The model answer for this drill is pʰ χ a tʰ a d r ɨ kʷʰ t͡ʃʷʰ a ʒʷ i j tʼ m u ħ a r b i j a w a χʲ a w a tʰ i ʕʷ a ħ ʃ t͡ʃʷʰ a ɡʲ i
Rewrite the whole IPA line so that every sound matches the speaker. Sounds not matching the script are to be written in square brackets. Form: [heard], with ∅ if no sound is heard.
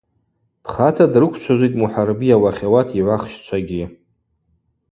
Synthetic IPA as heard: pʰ χ a tʰ a d r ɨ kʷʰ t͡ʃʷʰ a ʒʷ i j tʼ m u ħ a r b i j a w a χʲ a w a tʰ i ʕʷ a [χ] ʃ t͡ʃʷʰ a ɡʲ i